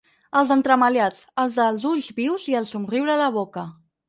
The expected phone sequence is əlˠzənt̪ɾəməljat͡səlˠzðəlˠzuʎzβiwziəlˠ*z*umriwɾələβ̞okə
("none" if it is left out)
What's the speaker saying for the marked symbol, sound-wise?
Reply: s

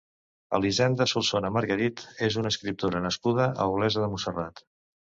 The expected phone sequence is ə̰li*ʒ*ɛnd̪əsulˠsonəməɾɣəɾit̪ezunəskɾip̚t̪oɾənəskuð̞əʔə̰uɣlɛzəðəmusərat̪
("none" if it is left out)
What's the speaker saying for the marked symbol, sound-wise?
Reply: z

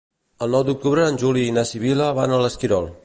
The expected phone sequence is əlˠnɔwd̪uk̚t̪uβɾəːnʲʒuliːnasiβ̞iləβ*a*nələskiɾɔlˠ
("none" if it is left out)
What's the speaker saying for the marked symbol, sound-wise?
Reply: a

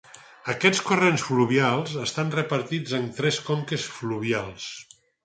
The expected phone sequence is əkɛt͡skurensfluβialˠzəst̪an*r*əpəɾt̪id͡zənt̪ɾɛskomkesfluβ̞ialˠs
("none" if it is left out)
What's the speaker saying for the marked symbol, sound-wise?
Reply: r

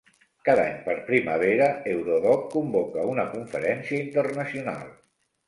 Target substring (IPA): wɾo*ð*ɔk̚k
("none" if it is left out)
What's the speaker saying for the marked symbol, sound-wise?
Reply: ð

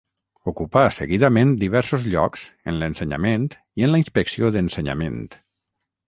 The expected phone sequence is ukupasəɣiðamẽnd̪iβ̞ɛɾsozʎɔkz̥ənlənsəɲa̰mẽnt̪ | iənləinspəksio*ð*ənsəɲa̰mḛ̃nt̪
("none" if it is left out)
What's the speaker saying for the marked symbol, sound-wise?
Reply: ð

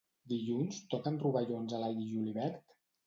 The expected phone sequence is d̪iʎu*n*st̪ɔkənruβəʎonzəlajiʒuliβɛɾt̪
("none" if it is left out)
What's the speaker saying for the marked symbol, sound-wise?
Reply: n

